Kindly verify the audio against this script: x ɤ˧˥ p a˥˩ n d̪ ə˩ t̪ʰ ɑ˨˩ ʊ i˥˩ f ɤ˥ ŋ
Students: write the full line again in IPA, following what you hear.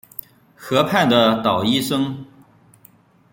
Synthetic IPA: x ɤ˧˥ pʰ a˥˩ n d̪ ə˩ t̪ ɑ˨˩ ʊ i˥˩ ʂ ɤ˥ ŋ